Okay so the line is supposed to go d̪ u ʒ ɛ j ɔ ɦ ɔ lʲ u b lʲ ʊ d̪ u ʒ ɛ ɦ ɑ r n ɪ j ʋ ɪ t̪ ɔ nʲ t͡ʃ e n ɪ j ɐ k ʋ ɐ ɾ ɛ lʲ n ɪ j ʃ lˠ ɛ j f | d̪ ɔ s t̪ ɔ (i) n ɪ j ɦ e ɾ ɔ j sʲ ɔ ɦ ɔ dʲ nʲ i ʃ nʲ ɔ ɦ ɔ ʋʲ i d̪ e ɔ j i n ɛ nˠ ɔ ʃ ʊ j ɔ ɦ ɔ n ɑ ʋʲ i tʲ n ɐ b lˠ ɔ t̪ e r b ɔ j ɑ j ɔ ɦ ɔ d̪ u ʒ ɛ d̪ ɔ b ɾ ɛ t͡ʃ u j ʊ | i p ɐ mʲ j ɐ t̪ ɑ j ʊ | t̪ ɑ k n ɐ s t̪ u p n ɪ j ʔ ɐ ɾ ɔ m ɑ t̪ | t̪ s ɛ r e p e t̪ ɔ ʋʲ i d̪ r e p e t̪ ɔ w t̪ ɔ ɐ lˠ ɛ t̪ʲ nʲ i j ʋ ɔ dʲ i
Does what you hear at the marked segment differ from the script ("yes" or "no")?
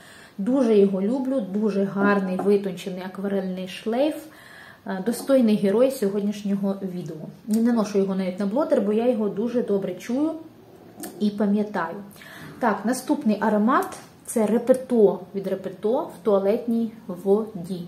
yes